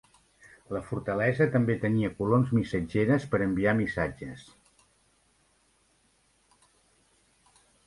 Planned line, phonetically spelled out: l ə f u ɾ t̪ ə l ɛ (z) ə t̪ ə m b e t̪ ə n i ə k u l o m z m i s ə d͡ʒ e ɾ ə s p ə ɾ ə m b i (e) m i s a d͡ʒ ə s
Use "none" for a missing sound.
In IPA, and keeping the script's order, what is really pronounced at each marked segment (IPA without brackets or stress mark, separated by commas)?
z, a